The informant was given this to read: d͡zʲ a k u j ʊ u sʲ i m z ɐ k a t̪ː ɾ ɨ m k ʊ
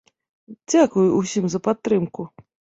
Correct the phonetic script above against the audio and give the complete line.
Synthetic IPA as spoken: d͡zʲ a k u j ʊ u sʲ i m z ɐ p a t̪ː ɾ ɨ m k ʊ

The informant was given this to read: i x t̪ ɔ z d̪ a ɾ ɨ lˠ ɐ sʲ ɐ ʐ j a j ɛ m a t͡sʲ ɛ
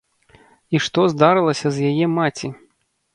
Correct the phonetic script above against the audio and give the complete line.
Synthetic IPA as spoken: i ʂ t̪ ɔ z d̪ a ɾ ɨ lˠ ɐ sʲ ɐ z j a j ɛ m a t͡sʲ i

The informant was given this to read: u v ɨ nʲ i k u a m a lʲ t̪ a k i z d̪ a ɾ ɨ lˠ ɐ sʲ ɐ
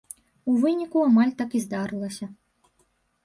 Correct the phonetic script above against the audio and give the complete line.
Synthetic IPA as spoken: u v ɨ nʲ i k u a m a lʲ t̪ a k i z d̪ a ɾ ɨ lˠ ɐ sʲ ɐ

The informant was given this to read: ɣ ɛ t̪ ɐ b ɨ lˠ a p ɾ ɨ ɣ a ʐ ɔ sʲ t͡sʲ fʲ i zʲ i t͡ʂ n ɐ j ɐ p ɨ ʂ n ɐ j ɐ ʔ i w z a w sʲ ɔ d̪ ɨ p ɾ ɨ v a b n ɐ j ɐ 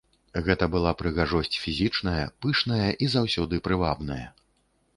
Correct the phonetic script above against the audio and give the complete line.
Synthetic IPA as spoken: ɣ ɛ t̪ ɐ b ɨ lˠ a p ɾ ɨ ɣ a ʐ ɔ sʲ t͡sʲ fʲ i zʲ i t͡ʂ n ɐ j ɐ p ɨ ʂ n ɐ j ɐ ʔ i z a w sʲ ɔ d̪ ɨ p ɾ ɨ v a b n ɐ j ɐ

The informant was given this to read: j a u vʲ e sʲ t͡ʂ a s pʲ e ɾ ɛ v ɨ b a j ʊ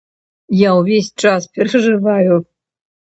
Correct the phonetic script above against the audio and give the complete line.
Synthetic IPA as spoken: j a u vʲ e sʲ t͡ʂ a s pʲ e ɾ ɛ ʐ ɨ v a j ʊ

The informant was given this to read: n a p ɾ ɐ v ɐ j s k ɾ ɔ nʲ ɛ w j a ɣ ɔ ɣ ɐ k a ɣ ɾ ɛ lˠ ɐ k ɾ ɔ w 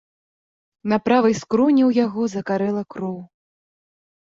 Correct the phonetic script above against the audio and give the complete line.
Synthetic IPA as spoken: n a p ɾ a v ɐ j s k ɾ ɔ nʲ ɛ w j a ɣ ɔ z ɐ k a ɾ ɛ lˠ ɐ k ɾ ɔ w

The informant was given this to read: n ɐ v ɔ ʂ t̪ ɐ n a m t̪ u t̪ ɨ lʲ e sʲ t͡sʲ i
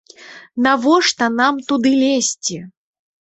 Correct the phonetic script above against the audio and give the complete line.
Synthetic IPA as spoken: n a v ɔ ʂ t̪ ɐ n a m t̪ u d̪ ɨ lʲ e sʲ t͡sʲ i

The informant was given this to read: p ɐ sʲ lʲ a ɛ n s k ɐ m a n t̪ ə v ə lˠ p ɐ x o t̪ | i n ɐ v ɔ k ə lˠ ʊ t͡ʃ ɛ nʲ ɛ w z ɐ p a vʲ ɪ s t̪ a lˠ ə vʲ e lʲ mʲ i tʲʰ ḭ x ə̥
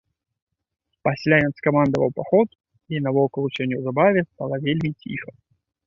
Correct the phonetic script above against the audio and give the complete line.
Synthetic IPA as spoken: p ɐ sʲ lʲ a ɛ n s k ɐ m a n d̪ ə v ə lˠ p ɐ x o t̪ | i n ɐ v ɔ k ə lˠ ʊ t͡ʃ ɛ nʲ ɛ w z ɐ b a vʲ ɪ s t̪ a lˠ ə vʲ e lʲ mʲ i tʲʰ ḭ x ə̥

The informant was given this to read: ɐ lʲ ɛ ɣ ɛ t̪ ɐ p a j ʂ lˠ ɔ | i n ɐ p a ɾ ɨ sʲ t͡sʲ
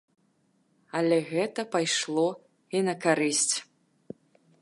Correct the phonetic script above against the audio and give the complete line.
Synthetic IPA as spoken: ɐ lʲ ɛ ɣ ɛ t̪ ɐ p a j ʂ lˠ ɔ | i n ɐ k a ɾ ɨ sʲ t͡sʲ

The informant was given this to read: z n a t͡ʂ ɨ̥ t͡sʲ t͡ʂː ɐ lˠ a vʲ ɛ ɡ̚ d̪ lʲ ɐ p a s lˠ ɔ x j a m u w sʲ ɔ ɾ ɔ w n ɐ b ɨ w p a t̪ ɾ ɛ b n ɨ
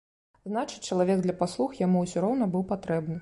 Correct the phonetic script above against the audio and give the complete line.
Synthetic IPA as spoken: z n a t͡ʂ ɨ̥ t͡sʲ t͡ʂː ɐ lˠ a vʲ ɛ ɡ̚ d̪ lʲ ɐ p a s lˠ u x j a m u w sʲ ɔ ɾ ɔ w n ɐ b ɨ w p a t̪ ɾ ɛ b n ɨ

